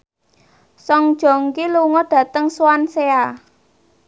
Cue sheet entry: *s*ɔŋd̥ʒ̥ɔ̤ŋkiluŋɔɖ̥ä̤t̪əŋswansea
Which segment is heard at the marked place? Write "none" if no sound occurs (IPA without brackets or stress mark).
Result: s